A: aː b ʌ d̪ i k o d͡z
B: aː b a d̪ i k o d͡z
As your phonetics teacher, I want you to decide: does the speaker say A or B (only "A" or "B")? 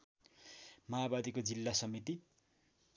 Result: B